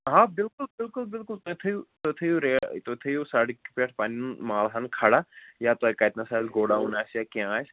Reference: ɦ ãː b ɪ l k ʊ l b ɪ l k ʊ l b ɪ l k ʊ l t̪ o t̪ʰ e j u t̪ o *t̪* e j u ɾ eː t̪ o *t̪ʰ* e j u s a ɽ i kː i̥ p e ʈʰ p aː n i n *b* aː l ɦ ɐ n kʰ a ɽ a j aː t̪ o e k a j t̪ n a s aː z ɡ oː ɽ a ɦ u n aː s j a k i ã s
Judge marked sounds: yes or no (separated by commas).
no, yes, no